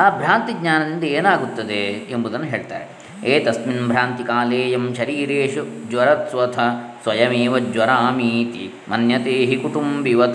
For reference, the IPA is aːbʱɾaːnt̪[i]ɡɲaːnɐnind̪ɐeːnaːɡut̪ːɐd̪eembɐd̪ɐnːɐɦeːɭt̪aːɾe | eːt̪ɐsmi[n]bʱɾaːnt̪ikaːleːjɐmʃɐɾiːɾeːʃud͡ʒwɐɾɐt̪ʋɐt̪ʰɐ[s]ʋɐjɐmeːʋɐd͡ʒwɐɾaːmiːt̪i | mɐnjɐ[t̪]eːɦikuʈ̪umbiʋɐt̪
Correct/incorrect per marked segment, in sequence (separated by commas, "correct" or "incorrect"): correct, correct, correct, correct